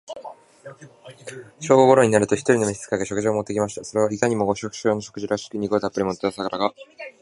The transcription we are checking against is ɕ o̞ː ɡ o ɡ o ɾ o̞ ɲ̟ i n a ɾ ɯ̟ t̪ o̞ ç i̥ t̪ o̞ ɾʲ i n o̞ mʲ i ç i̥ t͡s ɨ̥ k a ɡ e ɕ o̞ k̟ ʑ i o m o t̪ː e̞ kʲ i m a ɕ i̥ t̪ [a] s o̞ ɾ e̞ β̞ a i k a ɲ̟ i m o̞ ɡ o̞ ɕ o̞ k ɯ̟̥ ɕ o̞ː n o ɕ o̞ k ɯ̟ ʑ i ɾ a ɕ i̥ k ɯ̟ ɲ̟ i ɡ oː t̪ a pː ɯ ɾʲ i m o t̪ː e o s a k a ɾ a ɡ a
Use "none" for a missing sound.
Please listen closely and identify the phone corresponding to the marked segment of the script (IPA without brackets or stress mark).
a